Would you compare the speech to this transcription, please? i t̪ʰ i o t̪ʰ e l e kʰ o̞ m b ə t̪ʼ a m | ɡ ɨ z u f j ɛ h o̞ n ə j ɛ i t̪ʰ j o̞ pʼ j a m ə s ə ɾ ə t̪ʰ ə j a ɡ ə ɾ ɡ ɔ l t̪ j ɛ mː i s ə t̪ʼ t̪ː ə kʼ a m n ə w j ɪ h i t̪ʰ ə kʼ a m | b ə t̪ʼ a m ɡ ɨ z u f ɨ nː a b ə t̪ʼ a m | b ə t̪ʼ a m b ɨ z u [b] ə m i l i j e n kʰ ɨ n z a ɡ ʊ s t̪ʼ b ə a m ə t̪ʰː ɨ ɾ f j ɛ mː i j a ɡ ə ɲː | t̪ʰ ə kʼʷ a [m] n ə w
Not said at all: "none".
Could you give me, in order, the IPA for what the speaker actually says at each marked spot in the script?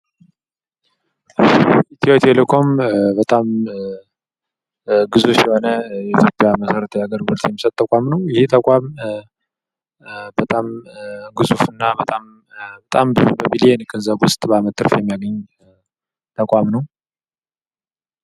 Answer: b, m

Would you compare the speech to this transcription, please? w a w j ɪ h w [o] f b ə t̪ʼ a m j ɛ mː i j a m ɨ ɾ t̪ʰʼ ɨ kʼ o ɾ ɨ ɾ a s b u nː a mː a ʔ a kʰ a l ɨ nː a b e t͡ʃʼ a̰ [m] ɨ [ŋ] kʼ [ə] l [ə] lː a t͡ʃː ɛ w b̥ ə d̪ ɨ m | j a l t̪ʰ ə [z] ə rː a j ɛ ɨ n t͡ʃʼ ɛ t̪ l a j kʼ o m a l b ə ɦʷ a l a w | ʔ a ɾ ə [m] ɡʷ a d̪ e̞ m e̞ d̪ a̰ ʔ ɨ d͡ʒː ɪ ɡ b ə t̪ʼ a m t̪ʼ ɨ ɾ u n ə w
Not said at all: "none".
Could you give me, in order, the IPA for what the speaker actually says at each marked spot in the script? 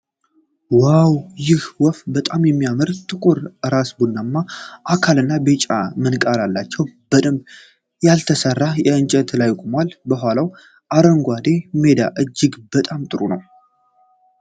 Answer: ɔ, m, n, a, a, s, ŋ

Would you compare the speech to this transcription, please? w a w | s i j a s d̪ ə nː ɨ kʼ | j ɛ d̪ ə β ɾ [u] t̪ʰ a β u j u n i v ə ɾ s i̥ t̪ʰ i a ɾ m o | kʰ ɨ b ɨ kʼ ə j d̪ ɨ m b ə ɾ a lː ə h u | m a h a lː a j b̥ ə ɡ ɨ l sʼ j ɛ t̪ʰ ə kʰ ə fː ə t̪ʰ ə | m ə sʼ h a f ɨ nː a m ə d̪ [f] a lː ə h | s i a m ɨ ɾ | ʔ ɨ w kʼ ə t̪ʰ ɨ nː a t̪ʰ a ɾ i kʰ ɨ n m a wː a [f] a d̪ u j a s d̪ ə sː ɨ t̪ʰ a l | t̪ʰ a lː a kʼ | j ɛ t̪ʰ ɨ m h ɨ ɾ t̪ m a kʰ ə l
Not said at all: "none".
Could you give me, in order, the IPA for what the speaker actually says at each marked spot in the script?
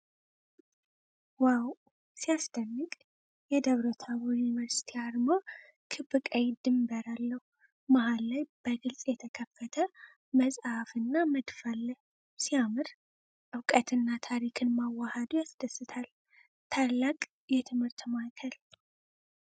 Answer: o, f, h

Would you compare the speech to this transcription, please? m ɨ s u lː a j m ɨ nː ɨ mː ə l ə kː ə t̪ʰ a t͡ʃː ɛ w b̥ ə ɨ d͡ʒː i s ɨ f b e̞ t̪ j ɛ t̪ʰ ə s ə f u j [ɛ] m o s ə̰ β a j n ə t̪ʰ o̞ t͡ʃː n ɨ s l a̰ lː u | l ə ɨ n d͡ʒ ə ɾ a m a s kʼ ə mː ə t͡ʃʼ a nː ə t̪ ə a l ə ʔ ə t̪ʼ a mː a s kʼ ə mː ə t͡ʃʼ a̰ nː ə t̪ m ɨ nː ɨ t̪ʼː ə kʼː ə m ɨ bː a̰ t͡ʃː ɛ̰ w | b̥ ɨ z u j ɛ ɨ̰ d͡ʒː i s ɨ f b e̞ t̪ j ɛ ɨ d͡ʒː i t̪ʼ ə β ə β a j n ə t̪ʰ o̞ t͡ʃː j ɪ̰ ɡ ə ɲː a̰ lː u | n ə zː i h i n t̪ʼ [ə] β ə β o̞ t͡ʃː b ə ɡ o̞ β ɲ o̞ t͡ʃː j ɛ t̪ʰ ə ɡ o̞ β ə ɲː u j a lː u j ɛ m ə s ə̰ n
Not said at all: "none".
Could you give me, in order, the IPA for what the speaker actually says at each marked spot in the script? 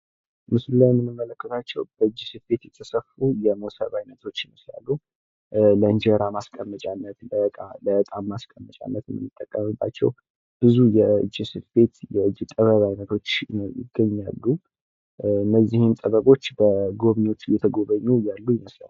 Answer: ɛ, ə

